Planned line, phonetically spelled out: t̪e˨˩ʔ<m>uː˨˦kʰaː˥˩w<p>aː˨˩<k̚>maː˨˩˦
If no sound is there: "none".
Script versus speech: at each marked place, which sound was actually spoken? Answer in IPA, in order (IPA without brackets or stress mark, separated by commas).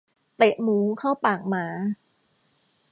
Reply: m, p, k̚